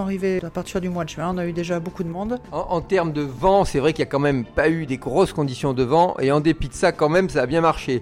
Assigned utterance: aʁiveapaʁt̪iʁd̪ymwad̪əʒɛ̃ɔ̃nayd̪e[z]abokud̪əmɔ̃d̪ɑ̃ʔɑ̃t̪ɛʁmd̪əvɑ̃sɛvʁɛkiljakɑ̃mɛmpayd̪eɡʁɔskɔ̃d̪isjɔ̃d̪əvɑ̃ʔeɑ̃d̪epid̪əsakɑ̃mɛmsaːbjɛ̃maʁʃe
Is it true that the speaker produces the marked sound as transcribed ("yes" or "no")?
no